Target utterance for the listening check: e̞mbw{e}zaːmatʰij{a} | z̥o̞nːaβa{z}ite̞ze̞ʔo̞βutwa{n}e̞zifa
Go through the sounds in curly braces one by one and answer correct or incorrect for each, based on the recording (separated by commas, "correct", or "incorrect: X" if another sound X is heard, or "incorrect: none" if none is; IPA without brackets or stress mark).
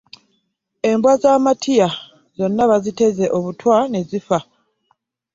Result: incorrect: a, correct, correct, correct